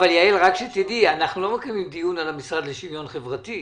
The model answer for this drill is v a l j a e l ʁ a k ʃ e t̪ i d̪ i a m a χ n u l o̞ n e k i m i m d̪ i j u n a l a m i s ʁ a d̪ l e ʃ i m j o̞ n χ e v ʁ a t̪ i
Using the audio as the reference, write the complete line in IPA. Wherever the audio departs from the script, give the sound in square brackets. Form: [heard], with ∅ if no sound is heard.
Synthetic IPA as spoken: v a l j a e l ʁ a k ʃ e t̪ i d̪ i a [n] a χ n u l o̞ [m] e k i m i m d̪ i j u n a l a m i s ʁ a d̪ l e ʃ i m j o̞ n χ e v ʁ a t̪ i